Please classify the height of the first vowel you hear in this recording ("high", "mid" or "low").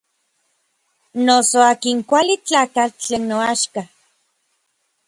mid